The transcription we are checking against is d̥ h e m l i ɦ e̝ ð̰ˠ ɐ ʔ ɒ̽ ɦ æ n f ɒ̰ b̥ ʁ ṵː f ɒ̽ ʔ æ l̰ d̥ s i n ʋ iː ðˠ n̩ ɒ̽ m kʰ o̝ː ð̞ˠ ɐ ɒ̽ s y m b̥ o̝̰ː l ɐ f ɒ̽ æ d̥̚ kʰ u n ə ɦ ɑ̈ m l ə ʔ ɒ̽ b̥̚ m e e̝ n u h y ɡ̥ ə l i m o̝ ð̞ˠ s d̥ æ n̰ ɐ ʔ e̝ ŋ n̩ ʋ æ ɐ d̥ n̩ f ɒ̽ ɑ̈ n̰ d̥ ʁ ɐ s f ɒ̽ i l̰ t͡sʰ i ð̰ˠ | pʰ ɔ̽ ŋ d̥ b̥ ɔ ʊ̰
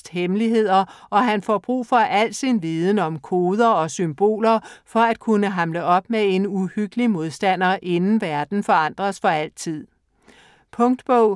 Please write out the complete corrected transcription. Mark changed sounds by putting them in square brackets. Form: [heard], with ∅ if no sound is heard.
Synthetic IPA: d̥ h e m l i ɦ e̝ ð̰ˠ ɐ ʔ ɒ̽ ɦ æ n f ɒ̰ b̥ ʁ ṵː f ɒ̽ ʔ æ l̰ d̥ s i n ʋ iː ðˠ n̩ ɒ̽ m kʰ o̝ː ð̞ˠ ɐ ɒ̽ s y m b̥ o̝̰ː l ɐ f ɒ̽ æ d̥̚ kʰ u n ə ɦ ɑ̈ m l ə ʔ ɒ̽ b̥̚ m e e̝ n u h y ɡ̥ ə l i m o̝ ð̞ˠ s d̥ æ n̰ ɐ ʔ e̝ [n] n̩ ʋ æ ɐ d̥ n̩ f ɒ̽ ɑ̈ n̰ d̥ ʁ ɐ s f ɒ̽ [æ] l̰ t͡sʰ i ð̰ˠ | pʰ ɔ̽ ŋ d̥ b̥ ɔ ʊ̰